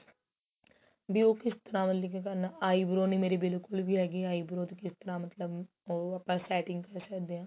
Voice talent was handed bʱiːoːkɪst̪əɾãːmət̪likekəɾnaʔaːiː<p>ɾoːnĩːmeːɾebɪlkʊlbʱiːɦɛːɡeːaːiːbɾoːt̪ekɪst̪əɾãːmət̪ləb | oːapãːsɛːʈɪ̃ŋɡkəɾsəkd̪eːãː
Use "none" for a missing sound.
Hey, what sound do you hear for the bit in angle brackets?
b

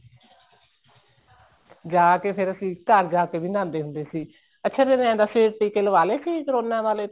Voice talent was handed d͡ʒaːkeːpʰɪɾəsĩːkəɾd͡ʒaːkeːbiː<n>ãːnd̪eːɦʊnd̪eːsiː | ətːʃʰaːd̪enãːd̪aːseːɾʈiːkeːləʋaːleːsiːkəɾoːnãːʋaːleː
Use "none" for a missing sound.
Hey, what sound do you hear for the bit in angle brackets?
n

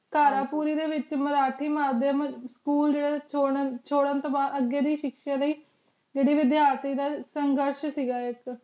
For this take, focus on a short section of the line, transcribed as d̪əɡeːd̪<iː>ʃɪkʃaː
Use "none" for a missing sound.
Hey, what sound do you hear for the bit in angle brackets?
iː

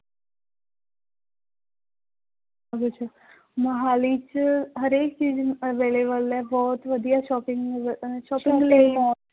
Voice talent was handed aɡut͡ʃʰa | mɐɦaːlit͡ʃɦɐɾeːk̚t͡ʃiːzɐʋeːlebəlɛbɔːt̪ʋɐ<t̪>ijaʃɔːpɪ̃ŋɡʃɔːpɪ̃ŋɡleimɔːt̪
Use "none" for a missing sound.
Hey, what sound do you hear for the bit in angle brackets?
d̪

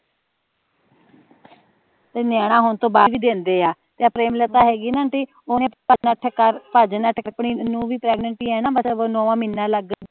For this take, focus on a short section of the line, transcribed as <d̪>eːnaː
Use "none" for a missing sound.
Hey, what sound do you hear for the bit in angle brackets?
t̪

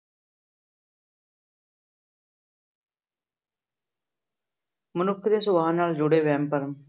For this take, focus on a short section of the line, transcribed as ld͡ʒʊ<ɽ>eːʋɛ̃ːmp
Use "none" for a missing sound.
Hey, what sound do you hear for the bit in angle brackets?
ɽ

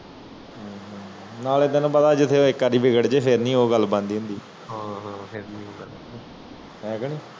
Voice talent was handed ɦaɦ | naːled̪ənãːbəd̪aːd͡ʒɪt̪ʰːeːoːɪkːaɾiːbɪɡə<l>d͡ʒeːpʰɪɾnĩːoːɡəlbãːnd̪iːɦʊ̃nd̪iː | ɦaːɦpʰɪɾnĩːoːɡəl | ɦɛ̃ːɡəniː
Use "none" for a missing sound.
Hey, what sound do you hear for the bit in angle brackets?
ɽ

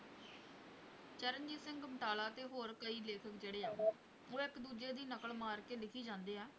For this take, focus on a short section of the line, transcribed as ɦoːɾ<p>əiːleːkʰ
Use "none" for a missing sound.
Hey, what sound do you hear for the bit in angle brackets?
k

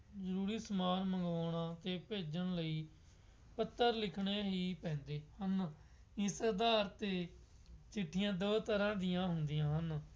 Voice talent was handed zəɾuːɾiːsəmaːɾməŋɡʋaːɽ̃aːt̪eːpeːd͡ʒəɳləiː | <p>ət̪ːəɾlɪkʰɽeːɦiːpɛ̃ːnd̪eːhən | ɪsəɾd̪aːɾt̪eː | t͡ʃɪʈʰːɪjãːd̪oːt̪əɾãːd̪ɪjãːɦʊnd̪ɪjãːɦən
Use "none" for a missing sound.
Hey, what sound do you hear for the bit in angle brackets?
p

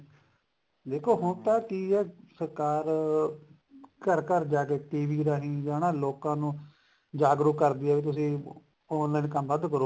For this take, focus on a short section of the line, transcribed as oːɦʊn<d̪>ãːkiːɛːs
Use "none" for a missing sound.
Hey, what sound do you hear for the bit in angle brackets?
t̪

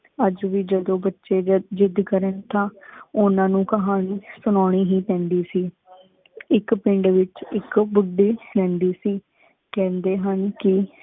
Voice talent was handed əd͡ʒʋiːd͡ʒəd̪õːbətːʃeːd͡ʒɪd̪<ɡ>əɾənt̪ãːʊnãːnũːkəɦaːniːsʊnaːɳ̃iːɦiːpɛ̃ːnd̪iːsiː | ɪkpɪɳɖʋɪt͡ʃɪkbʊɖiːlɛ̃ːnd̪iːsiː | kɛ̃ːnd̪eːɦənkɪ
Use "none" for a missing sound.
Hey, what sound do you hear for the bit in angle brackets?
k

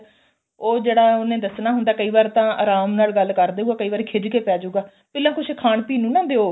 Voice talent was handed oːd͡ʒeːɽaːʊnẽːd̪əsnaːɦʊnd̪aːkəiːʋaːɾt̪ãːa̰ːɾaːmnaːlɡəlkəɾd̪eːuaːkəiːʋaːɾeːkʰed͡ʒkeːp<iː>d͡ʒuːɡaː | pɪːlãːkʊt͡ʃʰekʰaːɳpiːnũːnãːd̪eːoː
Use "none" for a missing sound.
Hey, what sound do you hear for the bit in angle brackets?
ɛː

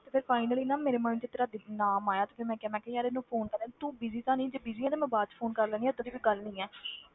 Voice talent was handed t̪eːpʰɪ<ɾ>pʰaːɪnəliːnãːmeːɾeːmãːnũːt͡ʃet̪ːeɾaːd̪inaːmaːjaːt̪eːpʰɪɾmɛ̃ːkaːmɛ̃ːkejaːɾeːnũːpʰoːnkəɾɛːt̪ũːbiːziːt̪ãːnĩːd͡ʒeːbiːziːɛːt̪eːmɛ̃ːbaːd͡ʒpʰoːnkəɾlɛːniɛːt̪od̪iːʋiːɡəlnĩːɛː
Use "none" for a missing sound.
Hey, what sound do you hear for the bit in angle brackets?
ɾ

